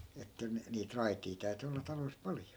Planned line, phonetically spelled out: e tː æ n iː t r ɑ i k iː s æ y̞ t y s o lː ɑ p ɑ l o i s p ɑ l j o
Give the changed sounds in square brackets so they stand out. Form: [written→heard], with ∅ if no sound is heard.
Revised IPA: e tː æ n iː t r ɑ i [k→t] iː [s→t] æ y̞ t y [s→∅] o lː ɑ [p→t] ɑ l o i s p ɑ l j o